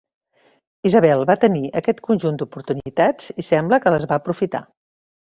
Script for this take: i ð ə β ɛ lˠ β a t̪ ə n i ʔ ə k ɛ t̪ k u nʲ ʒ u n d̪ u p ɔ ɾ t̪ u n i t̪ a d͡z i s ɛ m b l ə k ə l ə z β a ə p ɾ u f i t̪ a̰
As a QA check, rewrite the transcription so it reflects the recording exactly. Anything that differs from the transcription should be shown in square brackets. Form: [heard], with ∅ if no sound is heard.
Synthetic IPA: i [z] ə β ɛ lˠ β a t̪ ə n i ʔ ə k ɛ t̪ k u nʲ ʒ u n d̪ u p [u] ɾ t̪ u n i t̪ a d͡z i s ɛ m b l ə k ə l ə z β a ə p ɾ u f i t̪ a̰